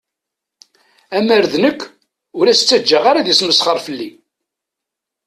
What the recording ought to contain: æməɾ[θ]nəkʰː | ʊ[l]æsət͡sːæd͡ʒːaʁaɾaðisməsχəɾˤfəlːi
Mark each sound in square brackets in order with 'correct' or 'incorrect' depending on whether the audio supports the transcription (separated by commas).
incorrect, incorrect